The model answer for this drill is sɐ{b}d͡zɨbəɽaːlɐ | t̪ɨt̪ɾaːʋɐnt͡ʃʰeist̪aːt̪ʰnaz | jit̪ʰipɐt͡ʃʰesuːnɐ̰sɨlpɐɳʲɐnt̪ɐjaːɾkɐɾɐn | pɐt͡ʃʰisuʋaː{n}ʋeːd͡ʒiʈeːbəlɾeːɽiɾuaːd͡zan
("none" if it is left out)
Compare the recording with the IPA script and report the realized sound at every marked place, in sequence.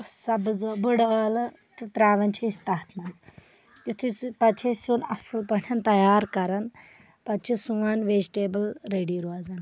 b, n

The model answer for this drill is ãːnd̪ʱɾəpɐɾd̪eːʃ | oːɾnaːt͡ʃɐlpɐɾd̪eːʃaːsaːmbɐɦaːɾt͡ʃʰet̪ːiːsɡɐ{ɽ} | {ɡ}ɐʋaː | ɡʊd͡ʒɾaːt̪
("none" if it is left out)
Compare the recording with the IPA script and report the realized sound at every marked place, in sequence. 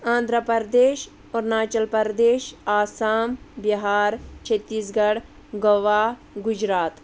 ɽ, ɡ

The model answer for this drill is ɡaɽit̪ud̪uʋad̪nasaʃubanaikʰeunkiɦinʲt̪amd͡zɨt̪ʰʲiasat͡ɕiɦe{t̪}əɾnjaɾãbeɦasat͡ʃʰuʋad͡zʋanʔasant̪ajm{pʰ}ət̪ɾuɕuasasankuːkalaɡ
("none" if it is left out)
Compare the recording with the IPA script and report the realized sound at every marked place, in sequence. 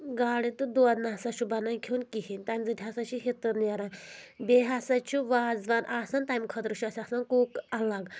t̪, kʰ

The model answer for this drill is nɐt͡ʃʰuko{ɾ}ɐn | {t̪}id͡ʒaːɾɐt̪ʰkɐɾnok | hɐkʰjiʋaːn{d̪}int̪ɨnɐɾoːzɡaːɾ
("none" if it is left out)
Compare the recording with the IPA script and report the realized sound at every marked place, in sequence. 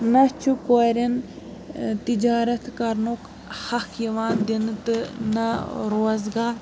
ɾ, t̪, d̪

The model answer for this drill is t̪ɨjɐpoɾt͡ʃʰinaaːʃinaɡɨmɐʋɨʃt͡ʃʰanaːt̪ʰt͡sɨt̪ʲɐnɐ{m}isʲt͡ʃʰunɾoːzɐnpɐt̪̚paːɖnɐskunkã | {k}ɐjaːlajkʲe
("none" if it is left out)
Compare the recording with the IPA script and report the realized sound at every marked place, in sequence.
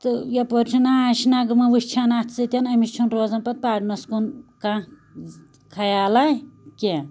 m, kʰ

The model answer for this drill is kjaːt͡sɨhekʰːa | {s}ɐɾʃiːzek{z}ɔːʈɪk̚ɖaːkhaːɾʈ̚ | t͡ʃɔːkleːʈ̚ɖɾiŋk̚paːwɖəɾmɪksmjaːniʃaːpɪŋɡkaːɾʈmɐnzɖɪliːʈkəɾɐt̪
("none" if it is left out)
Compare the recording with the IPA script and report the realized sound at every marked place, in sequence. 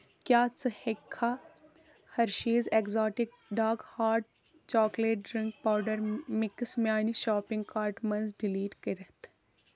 h, z

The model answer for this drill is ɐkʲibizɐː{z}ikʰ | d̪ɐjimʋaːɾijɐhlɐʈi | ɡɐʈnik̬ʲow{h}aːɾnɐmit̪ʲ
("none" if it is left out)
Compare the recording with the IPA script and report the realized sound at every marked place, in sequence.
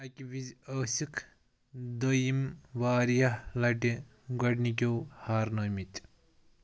s, h

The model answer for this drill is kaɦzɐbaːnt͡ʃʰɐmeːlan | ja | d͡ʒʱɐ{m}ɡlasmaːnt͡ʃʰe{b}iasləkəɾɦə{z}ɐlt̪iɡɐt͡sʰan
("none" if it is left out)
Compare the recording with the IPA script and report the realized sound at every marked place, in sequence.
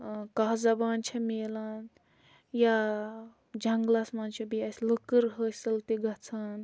ŋ, b, s

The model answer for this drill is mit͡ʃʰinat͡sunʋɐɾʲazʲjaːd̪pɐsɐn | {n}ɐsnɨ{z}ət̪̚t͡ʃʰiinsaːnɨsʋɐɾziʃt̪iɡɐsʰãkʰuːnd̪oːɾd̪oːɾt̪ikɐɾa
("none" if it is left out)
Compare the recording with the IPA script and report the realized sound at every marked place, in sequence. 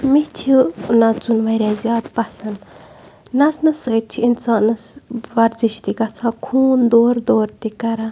n, s

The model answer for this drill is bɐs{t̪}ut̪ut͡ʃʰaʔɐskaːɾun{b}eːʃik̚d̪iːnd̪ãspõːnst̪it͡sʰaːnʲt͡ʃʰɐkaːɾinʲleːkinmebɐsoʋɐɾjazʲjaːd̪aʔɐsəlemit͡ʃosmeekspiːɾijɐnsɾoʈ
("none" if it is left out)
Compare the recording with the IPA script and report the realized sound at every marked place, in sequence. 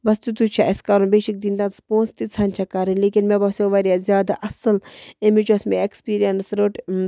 t̪, b

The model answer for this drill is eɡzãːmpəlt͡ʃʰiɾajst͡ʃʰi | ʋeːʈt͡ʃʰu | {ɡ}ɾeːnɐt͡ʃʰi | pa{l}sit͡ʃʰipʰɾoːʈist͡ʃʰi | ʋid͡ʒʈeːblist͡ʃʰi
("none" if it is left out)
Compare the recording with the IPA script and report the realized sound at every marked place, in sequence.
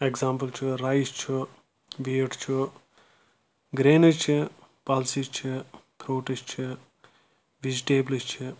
ɡ, l

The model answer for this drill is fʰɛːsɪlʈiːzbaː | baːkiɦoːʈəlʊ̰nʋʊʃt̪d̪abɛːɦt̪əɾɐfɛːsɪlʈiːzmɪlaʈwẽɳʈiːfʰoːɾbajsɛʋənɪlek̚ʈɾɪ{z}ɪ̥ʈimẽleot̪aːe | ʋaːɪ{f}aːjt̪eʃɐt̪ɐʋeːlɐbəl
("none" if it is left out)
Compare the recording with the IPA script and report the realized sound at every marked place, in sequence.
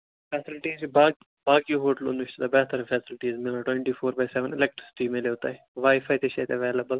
s, f

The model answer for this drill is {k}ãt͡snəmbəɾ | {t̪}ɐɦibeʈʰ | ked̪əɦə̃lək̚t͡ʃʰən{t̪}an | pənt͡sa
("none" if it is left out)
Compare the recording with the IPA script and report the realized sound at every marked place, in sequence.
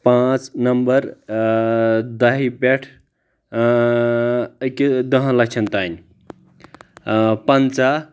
p, d̪, t̪

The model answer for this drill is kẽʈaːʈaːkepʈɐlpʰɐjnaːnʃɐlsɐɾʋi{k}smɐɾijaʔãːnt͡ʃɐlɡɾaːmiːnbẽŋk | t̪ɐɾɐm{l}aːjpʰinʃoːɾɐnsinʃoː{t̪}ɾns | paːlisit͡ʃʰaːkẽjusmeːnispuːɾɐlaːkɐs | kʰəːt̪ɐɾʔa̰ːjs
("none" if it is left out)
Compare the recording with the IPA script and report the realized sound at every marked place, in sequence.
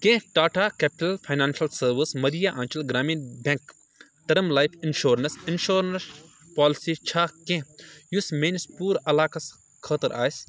none, l, none

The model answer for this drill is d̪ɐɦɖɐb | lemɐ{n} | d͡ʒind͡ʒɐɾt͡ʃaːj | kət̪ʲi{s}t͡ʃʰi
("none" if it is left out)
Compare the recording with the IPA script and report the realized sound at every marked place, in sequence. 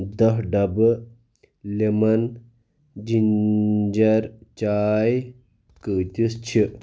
n, s

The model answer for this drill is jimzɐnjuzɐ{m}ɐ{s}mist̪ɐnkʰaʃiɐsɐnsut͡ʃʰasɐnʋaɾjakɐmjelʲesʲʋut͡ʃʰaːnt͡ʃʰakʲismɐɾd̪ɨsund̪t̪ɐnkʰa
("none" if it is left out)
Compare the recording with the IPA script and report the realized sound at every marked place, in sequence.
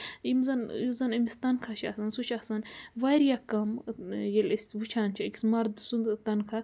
n, none

